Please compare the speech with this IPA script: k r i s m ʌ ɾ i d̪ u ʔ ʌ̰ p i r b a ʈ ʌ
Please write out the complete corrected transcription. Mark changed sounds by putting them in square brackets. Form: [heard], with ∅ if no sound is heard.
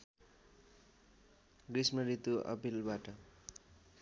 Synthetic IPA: [ɡ] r i s m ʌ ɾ i [t̪] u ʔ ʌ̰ p i [l] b a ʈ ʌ